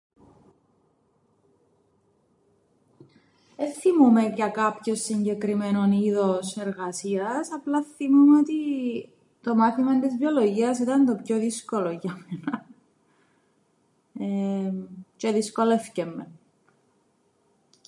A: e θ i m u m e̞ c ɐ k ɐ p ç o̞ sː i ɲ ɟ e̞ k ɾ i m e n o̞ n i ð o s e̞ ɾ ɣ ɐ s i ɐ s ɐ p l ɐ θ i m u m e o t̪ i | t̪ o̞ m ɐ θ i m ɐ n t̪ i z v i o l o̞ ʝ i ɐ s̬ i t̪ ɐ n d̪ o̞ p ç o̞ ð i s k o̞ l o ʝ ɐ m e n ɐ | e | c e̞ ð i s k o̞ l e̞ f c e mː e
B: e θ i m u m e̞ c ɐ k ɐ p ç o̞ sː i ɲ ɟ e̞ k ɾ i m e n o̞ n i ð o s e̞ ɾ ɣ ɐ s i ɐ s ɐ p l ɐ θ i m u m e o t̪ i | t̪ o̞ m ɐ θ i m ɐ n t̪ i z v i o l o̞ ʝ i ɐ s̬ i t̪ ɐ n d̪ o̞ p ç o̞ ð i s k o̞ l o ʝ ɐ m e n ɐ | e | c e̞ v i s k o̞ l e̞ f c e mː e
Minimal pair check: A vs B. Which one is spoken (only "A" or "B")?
A